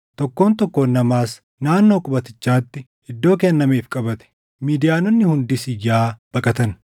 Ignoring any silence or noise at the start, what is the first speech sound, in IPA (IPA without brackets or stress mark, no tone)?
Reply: t̪